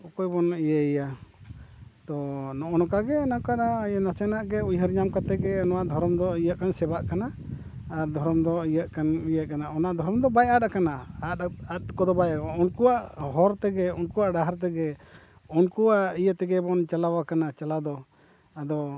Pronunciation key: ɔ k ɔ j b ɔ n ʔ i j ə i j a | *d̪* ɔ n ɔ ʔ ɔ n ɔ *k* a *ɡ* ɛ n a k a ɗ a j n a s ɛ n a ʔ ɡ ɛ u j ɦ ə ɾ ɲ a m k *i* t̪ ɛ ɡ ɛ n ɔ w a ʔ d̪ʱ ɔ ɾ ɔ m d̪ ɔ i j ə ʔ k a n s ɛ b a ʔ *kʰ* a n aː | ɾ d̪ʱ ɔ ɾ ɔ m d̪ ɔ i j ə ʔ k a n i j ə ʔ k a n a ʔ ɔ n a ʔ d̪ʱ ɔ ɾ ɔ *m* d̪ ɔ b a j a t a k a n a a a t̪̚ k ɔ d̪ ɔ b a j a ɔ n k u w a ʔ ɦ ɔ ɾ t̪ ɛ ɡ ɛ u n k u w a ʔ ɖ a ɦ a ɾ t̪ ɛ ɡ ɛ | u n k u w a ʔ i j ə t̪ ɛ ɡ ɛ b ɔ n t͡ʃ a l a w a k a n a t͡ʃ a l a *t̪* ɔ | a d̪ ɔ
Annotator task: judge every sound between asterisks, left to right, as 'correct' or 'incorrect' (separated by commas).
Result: incorrect, correct, correct, incorrect, incorrect, correct, incorrect